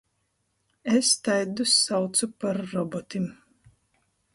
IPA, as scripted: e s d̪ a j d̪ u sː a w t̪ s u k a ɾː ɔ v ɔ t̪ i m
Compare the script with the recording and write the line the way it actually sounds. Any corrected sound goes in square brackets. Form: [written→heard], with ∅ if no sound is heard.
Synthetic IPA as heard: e s [d̪→t̪] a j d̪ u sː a w t̪ s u [k→p] a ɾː ɔ [v→b] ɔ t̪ i m